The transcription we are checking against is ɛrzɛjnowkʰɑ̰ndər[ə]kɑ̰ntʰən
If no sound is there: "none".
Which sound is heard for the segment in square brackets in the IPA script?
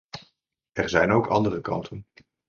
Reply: ə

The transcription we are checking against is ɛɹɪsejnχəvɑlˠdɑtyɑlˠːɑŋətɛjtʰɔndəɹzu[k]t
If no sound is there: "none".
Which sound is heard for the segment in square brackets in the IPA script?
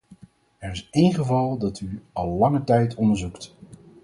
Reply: k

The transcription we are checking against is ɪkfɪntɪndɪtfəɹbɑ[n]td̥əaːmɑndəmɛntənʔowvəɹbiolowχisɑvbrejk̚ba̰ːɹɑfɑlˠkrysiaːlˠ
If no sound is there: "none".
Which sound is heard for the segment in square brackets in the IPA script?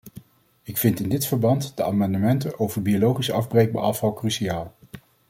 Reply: n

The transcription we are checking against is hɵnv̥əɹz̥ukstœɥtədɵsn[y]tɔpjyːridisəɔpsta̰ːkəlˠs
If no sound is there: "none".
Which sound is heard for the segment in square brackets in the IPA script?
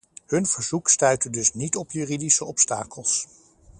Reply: i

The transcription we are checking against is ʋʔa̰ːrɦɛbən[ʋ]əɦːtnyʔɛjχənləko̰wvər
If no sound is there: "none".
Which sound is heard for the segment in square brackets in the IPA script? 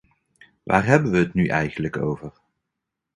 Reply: ʋ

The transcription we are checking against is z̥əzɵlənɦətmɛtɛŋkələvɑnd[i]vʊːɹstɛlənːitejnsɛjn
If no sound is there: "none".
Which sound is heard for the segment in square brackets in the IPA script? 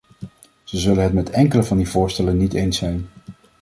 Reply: i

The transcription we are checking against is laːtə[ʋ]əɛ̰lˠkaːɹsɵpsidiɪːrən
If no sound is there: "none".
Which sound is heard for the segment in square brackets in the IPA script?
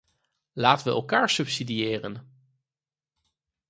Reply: ʋ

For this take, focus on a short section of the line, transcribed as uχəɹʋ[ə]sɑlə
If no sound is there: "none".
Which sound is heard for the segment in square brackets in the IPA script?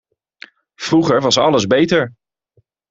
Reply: ɑ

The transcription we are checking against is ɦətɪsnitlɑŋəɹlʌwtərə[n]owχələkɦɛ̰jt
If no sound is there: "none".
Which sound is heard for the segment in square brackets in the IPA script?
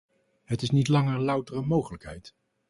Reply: m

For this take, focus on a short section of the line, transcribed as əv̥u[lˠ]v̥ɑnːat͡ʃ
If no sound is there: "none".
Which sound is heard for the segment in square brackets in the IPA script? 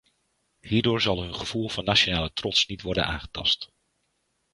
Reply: lˠ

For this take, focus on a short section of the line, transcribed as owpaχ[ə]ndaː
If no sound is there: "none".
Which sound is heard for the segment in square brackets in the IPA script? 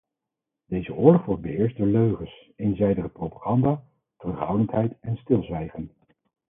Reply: ɑ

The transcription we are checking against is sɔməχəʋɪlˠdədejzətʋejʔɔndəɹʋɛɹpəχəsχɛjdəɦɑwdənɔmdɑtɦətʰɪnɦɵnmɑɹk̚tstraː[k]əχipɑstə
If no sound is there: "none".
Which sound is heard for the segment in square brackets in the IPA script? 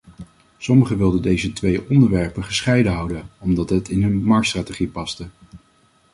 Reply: t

